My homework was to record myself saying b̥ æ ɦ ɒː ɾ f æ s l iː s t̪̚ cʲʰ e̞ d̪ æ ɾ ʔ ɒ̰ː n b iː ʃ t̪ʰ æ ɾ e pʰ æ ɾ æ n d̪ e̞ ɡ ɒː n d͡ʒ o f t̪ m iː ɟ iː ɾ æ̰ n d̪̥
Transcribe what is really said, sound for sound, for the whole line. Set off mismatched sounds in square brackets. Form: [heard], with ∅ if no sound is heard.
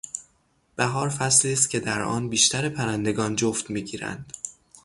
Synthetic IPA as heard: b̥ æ ɦ ɒː ɾ f æ s l iː s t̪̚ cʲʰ e̞ d̪ æ ɾ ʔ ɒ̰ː n b iː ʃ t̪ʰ æ ɾ e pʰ æ ɾ æ n d̪ e̞ ɡ ɒː n d͡ʒ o f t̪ m iː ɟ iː ɾ æ̰ n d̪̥